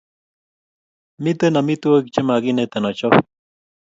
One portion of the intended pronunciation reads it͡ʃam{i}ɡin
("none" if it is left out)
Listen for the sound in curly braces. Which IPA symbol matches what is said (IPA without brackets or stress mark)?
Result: a